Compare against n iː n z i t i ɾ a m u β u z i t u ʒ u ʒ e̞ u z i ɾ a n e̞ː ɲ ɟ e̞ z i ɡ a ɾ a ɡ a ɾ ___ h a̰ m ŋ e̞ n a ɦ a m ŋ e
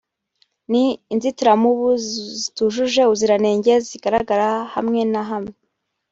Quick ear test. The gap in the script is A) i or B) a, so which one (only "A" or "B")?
B